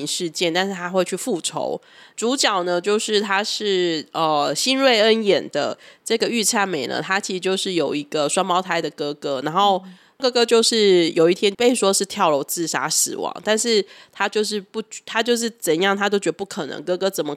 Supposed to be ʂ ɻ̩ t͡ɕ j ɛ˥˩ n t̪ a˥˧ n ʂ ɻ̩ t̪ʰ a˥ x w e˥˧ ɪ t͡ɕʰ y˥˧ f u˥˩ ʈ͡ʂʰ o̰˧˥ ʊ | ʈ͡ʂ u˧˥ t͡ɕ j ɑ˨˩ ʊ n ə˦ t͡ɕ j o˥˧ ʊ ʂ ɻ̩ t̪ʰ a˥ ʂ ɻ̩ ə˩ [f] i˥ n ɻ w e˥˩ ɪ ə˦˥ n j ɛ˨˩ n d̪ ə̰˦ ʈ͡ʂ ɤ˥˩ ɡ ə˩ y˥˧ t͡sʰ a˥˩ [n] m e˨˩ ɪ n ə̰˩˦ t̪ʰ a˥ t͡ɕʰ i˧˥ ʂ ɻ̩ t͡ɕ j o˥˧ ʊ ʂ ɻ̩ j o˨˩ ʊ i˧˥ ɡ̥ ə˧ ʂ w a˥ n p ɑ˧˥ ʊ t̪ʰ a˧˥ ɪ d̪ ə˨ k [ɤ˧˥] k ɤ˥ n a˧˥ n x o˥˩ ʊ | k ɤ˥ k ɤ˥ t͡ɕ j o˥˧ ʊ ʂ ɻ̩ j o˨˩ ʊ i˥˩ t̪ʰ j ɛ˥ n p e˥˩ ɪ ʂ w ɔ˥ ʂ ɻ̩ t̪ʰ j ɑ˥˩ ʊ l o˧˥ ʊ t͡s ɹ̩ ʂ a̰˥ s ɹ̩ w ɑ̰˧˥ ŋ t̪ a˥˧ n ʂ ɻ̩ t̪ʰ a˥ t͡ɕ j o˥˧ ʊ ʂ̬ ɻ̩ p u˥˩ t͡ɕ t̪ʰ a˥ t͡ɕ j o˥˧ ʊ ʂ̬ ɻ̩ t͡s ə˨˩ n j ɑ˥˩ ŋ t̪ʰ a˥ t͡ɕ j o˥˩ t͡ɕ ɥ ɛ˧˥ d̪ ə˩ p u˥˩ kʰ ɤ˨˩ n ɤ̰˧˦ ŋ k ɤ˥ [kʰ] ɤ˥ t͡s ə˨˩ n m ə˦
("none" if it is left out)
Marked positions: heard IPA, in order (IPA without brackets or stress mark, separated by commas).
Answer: ɕ, n, ɤ˥, k